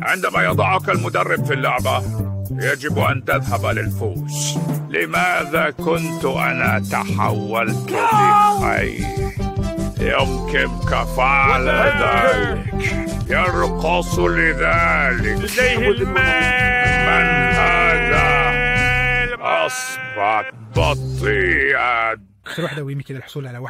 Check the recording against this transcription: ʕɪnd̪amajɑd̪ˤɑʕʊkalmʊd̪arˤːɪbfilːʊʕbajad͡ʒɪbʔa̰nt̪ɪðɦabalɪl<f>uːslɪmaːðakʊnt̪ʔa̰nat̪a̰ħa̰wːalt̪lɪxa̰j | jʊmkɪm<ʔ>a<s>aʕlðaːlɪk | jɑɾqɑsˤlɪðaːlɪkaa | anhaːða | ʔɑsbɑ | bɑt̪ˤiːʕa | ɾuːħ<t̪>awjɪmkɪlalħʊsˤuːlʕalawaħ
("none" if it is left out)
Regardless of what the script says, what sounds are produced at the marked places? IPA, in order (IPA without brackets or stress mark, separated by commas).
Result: f, k, f, d̪